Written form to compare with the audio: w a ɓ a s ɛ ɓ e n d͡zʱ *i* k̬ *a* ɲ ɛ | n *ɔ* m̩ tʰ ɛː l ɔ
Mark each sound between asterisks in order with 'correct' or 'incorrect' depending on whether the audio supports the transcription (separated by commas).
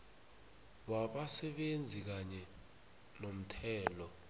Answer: correct, correct, incorrect